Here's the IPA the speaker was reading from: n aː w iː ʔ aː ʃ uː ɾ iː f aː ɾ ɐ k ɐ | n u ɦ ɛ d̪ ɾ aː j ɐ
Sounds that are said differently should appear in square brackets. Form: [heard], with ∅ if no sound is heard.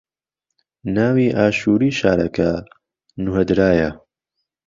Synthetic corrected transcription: n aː w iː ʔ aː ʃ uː ɾ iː [ʃ] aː ɾ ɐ k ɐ | n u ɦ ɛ d̪ ɾ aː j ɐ

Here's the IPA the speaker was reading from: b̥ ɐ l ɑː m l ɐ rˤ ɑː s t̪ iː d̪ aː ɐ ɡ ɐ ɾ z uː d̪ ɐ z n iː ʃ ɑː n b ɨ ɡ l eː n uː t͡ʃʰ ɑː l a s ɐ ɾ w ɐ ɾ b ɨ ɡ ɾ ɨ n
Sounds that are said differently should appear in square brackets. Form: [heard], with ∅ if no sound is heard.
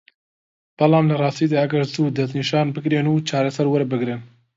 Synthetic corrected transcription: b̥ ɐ l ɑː m l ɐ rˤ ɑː s t̪ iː d̪ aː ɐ ɡ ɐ ɾ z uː d̪ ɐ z n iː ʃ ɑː n b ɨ ɡ [ɾ] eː n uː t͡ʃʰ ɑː [ɾ] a s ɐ ɾ w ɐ ɾ b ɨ ɡ ɾ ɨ n

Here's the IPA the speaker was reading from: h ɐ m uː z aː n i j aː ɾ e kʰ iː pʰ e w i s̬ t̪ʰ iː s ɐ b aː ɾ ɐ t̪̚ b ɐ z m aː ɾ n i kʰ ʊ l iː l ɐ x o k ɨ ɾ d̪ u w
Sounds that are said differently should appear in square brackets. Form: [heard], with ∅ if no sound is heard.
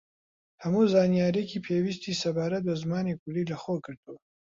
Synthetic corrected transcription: h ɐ m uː z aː n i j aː ɾ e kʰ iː pʰ e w i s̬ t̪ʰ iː s ɐ b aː ɾ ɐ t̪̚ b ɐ z m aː [∅] n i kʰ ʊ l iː l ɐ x o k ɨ ɾ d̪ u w

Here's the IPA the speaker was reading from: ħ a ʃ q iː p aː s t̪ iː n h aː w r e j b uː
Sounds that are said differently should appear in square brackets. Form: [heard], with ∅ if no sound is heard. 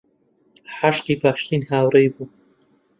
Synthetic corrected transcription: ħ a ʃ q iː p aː [ʃ] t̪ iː n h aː w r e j b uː

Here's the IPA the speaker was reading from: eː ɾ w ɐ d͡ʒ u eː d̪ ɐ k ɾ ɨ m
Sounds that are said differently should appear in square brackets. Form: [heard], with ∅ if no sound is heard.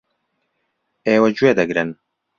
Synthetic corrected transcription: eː [∅] w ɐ d͡ʒ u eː d̪ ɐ [ɡ] ɾ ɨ [n]

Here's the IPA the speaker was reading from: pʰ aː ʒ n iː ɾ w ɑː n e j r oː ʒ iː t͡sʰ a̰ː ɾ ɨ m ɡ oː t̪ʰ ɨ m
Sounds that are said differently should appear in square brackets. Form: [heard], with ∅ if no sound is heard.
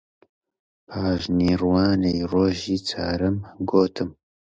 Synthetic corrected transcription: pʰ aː ʒ n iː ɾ w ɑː n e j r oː ʒ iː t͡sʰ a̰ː ɾ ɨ m ɡ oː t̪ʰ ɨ m

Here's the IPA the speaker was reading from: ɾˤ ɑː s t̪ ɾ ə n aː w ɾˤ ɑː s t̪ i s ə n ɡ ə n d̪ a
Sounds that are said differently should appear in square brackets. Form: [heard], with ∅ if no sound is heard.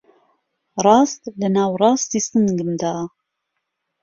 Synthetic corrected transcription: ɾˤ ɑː s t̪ [l] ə n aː w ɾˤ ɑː s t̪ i s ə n ɡ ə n d̪ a

